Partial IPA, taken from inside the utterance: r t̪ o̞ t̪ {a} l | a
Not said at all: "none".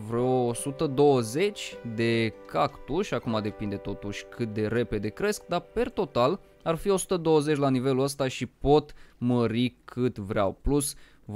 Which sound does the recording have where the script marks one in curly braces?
a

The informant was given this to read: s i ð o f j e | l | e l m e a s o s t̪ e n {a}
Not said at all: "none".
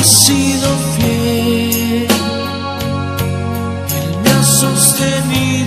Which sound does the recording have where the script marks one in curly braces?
i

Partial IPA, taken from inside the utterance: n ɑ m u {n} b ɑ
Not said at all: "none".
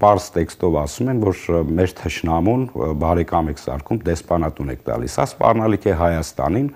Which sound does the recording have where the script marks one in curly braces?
n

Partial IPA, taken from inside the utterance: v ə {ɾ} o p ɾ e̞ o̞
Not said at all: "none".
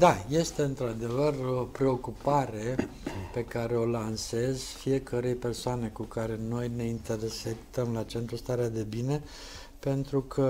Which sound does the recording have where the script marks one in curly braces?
r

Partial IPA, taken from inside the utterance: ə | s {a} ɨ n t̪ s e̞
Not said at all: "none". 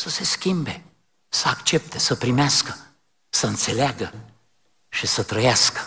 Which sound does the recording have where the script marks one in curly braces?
ə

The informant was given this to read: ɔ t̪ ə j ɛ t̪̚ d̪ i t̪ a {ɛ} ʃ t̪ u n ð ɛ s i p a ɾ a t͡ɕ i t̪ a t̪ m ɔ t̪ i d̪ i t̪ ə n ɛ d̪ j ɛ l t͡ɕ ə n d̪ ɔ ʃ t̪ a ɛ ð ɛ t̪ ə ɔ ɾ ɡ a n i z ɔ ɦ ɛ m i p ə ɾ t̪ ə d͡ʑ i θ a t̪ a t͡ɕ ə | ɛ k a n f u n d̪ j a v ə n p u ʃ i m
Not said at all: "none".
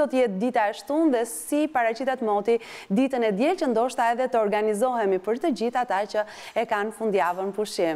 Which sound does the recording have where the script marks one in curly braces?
ɛ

